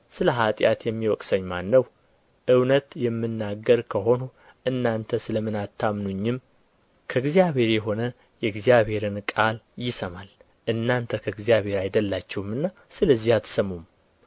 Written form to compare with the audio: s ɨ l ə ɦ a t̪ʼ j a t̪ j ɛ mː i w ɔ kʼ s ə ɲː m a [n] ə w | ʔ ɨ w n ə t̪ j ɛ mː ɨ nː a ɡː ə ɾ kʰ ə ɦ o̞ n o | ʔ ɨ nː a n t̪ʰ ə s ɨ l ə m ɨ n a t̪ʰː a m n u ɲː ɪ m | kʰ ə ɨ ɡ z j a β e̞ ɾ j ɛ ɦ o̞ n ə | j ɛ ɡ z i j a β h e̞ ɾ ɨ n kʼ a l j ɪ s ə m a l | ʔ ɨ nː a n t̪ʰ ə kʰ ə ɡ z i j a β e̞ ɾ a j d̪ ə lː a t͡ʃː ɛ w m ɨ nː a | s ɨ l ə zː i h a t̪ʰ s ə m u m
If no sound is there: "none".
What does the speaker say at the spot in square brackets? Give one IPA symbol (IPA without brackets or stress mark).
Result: nː